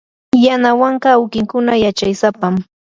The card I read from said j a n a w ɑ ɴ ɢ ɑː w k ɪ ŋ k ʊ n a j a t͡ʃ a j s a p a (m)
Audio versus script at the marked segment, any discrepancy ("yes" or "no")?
no